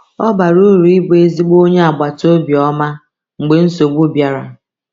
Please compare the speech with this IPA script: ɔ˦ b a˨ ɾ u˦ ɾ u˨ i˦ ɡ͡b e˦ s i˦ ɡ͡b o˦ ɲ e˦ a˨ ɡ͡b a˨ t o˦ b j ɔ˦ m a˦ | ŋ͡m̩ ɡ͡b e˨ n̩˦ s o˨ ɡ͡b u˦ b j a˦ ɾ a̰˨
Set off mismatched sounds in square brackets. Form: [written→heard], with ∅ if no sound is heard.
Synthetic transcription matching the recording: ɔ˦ b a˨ ɾ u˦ ɾ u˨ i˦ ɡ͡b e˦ [s→z] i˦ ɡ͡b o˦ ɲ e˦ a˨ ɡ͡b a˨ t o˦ b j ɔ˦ m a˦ | ŋ͡m̩ ɡ͡b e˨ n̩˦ s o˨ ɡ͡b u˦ b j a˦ ɾ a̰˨